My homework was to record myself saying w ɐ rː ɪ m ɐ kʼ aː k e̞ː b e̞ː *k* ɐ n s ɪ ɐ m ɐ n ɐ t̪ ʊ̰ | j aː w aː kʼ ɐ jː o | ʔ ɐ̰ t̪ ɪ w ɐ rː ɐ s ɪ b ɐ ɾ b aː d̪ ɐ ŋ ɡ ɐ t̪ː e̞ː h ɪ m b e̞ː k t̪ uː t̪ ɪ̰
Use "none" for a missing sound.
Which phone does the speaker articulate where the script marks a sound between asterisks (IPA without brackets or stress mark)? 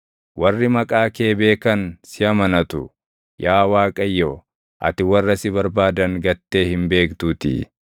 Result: k